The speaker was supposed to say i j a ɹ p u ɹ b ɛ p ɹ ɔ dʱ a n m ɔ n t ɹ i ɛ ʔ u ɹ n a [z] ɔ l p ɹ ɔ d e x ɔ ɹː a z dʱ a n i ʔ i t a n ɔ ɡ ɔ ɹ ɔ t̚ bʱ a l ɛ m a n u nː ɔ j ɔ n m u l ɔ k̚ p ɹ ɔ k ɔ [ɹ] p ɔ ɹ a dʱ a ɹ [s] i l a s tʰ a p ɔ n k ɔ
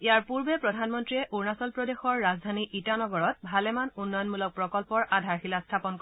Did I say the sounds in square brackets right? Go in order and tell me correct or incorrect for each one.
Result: incorrect, incorrect, incorrect

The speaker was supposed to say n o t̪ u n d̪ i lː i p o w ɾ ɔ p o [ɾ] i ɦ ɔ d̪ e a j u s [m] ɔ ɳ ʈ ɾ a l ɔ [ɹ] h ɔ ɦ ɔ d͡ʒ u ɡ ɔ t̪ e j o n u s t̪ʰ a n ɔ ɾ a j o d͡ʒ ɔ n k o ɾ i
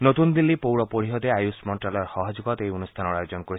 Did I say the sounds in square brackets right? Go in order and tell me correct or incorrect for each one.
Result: correct, correct, incorrect

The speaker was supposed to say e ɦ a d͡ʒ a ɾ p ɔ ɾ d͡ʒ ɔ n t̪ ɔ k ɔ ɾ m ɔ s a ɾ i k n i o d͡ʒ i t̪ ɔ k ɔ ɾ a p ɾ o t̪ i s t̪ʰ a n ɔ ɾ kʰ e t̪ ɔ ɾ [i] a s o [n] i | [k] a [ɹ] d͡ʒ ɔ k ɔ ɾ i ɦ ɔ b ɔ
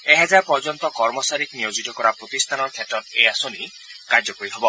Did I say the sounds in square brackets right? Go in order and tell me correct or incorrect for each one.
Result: incorrect, correct, correct, incorrect

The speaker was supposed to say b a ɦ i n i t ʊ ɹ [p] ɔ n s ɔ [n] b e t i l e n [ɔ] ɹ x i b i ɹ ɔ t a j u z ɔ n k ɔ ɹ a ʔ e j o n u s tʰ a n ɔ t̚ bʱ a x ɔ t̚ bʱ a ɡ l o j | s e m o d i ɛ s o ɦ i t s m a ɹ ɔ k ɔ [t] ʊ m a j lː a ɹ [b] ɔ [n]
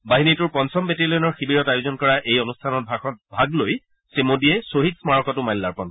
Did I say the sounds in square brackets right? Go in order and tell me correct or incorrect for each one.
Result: correct, incorrect, correct, correct, incorrect, correct

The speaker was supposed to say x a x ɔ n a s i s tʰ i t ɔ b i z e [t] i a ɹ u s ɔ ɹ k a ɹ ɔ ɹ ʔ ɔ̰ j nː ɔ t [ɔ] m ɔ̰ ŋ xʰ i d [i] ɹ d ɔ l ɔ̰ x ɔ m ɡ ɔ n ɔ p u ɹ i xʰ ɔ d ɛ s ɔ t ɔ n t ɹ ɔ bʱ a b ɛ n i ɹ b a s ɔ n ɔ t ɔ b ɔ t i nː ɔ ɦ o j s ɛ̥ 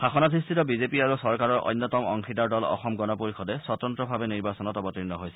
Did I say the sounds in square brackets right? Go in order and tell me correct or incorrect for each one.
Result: incorrect, correct, incorrect

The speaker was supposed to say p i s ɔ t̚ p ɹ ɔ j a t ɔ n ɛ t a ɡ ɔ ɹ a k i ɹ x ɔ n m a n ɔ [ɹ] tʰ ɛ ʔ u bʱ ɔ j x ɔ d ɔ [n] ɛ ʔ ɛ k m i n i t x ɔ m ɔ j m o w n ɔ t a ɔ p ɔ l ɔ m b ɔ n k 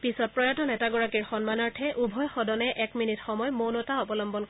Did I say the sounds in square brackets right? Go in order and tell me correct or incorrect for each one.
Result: correct, correct

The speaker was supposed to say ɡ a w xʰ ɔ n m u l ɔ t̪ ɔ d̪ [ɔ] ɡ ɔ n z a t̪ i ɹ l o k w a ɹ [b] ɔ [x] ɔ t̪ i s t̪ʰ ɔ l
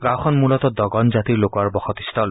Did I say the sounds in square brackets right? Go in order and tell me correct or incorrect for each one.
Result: correct, correct, correct

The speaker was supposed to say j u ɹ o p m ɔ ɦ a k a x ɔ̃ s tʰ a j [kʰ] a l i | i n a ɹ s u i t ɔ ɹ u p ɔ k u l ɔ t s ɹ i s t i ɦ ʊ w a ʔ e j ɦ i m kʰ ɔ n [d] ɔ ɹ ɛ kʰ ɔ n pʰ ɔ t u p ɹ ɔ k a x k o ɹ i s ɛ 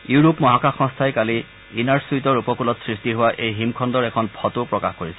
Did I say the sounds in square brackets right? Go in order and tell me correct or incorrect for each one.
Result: incorrect, correct

